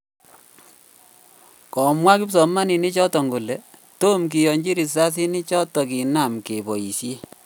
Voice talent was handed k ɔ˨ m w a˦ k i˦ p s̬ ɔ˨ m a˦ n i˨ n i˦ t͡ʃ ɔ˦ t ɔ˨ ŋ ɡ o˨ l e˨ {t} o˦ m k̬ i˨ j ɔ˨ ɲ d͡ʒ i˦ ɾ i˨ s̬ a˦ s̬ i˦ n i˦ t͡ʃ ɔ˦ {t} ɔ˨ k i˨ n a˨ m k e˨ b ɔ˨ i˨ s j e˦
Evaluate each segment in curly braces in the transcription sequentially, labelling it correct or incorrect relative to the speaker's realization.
correct, correct

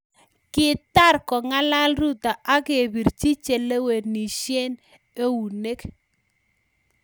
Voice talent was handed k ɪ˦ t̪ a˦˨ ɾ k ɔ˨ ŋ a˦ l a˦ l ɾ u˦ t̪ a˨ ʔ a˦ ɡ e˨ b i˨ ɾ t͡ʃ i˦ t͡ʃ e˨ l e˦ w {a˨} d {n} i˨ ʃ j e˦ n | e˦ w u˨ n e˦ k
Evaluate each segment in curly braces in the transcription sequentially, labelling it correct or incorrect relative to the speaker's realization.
incorrect, correct

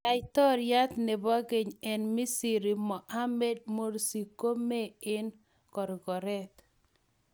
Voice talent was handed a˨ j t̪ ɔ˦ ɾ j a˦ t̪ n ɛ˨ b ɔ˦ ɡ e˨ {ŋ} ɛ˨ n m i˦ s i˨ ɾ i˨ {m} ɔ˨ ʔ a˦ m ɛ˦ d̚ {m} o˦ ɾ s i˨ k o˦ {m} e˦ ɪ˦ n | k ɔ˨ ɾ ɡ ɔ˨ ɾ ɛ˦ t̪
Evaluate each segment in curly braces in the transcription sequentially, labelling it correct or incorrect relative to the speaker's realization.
incorrect, correct, correct, correct

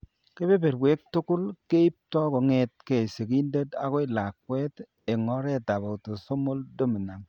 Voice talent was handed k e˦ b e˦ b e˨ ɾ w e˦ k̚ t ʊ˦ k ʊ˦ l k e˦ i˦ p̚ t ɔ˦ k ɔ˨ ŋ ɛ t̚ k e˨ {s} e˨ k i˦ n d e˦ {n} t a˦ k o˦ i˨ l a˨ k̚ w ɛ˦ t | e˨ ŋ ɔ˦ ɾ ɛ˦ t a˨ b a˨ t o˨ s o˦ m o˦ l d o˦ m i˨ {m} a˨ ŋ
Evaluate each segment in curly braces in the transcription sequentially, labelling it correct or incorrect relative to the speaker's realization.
correct, incorrect, incorrect

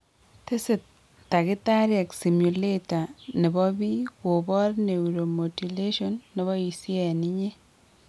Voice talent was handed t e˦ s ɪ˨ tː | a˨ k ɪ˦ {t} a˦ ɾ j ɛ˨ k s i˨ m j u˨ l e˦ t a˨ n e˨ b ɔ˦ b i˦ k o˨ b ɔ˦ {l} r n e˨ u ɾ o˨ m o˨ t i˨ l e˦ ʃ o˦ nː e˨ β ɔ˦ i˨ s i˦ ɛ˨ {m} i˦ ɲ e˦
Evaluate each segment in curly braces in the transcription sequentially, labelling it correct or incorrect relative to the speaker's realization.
correct, incorrect, incorrect

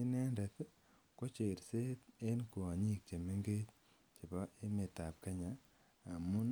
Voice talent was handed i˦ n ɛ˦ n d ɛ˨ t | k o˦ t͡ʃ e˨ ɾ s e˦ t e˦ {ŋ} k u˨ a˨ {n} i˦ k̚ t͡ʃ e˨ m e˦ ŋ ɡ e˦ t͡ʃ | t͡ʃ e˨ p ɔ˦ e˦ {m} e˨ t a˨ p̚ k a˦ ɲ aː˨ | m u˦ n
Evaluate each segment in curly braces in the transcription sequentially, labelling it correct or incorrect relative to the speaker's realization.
incorrect, incorrect, correct

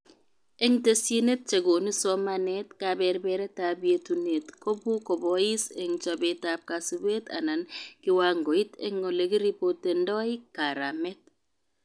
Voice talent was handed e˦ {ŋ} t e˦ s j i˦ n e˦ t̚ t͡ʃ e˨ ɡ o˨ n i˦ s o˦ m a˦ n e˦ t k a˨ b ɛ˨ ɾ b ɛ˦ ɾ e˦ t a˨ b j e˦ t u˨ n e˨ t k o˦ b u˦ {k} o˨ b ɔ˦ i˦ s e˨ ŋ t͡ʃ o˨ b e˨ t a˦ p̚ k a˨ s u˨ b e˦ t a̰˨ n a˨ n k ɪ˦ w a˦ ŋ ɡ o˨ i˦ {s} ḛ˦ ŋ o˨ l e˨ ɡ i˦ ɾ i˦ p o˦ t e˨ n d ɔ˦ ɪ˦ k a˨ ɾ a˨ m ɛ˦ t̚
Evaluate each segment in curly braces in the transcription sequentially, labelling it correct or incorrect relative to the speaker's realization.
correct, correct, incorrect

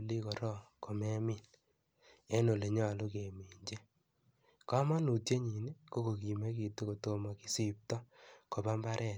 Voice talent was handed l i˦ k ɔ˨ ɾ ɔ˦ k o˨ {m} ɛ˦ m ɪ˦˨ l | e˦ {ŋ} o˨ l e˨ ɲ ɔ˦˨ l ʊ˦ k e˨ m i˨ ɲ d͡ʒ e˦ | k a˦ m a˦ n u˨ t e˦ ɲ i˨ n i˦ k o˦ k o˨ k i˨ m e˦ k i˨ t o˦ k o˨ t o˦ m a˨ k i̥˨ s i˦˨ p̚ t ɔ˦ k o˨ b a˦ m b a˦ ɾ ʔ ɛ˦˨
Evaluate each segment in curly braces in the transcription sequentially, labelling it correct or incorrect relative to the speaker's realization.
correct, incorrect

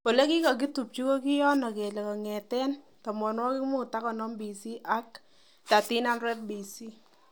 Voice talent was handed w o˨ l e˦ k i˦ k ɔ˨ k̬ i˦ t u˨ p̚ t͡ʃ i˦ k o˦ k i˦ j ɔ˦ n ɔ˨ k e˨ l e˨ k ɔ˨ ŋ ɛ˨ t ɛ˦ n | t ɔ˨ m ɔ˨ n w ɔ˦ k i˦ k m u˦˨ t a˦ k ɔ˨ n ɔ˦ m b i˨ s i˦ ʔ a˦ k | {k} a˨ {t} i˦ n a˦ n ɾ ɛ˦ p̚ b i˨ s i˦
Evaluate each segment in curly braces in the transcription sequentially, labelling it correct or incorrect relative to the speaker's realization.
incorrect, correct

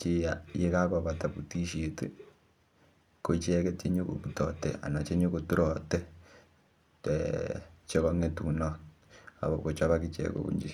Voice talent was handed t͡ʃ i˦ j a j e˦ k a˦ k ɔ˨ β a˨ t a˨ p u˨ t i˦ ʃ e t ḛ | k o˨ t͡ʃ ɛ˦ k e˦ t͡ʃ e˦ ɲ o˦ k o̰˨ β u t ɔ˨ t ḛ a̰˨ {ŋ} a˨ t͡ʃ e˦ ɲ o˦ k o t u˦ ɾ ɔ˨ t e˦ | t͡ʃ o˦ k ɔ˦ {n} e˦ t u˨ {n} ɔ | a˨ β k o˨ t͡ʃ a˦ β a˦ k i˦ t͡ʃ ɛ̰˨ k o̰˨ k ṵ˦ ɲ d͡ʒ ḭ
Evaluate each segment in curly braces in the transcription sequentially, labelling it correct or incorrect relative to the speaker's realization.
incorrect, incorrect, correct

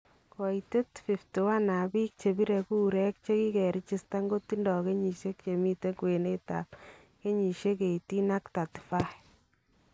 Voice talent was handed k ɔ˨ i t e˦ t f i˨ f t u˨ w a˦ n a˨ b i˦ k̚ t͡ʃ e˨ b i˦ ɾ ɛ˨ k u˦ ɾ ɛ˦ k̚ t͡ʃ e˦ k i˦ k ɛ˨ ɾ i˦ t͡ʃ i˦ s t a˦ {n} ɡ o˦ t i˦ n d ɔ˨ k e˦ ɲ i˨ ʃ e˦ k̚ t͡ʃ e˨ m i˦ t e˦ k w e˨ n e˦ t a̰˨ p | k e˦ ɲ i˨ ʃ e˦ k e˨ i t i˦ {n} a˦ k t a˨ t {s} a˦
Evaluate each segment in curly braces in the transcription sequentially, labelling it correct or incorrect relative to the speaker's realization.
incorrect, correct, incorrect

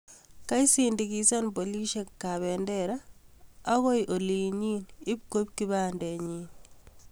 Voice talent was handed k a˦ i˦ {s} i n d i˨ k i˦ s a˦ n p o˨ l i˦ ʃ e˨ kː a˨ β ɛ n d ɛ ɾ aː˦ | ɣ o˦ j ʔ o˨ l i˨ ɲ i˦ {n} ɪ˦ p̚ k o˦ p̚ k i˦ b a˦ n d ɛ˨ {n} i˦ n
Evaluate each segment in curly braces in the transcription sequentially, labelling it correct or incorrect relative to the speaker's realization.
correct, correct, incorrect

